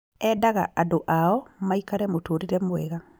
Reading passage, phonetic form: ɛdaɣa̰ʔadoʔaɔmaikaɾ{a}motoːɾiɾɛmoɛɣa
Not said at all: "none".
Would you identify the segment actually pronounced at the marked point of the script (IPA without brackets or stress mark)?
ɛ